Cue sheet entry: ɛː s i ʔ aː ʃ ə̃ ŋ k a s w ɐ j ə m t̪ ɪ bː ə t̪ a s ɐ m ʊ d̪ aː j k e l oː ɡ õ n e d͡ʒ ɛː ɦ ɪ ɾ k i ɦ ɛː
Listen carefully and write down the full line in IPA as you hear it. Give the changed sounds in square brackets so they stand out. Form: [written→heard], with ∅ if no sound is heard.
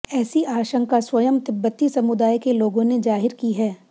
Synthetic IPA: ɛː s i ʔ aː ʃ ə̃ ŋ k a s w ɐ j ə m t̪ ɪ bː ə t̪ [a→i] s ɐ m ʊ d̪ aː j k e l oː ɡ õ n e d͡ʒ [ɛː→aː] ɦ ɪ ɾ k i ɦ ɛː